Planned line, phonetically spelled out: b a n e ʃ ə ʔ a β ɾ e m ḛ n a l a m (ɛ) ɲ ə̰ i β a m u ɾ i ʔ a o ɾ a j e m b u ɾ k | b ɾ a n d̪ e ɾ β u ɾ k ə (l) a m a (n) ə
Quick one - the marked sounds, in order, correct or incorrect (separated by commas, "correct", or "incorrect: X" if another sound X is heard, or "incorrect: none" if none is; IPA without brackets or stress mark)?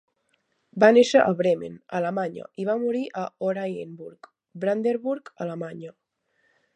incorrect: a, correct, incorrect: ɲ